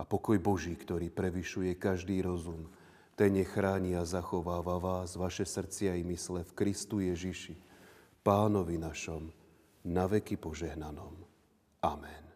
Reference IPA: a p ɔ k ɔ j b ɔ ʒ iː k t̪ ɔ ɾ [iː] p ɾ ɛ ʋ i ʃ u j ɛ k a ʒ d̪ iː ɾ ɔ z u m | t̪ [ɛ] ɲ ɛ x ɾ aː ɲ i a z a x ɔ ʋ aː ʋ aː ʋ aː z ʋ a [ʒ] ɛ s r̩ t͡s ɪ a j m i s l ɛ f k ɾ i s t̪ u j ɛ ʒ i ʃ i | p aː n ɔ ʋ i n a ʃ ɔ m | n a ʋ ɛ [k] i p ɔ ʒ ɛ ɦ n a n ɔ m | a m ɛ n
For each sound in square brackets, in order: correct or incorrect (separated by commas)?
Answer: correct, correct, incorrect, correct